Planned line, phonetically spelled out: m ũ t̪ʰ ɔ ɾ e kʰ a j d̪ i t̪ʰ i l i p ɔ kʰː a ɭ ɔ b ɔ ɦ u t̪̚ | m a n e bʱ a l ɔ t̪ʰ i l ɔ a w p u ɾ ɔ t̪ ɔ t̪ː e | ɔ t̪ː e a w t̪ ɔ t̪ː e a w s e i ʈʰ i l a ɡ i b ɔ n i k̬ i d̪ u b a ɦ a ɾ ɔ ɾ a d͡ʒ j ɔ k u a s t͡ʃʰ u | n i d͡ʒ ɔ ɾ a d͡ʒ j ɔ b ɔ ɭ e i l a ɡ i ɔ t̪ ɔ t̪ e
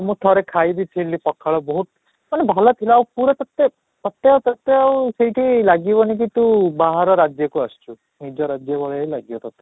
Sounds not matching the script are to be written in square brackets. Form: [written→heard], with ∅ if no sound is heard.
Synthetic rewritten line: m ũ t̪ʰ ɔ ɾ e kʰ a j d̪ i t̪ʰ i l i p ɔ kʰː a ɭ ɔ b ɔ ɦ u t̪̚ | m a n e bʱ a l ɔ t̪ʰ i l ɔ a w p u ɾ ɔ t̪ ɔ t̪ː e | ɔ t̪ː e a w t̪ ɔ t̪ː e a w s e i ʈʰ i l a ɡ i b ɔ n i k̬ i [d̪→t̪] u b a ɦ a ɾ ɔ ɾ a d͡ʒ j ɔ k u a s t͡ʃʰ u | n i d͡ʒ ɔ ɾ a d͡ʒ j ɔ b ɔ ɭ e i l a ɡ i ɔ t̪ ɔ t̪ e